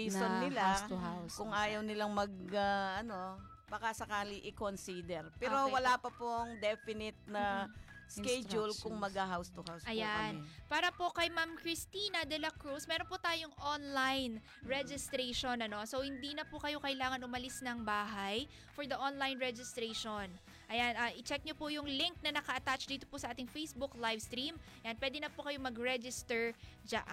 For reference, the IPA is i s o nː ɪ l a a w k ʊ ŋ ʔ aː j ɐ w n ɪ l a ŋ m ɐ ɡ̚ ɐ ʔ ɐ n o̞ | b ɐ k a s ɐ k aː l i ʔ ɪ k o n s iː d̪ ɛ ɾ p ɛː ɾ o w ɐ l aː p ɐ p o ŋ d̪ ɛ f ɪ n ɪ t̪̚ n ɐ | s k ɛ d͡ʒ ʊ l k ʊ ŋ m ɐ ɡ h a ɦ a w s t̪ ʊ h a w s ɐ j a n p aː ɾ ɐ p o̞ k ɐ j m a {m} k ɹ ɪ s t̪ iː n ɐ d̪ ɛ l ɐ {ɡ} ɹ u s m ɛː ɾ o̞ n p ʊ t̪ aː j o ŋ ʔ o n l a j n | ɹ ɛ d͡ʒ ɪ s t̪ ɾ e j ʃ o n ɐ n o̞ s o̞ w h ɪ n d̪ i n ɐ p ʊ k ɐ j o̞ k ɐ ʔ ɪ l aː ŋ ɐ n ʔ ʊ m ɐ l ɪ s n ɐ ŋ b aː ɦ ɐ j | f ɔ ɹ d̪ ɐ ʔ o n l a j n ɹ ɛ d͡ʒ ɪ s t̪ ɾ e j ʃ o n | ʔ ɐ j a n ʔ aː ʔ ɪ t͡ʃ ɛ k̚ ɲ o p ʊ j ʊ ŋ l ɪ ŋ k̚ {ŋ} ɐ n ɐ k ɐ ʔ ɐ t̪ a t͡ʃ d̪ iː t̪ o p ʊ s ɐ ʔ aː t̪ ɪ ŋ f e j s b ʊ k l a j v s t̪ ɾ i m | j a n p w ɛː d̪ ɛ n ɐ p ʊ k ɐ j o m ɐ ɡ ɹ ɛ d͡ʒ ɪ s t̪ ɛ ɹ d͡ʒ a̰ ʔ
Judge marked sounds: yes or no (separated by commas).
yes, no, no